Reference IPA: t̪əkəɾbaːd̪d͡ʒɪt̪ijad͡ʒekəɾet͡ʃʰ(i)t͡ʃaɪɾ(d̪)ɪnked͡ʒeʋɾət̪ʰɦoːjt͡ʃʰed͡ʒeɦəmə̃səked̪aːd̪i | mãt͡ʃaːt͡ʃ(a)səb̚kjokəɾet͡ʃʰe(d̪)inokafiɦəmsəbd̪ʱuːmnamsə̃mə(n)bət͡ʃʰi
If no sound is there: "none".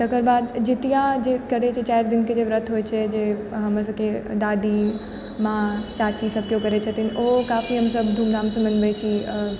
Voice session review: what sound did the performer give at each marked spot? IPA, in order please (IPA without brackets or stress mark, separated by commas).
e, d̪, i, t̪, n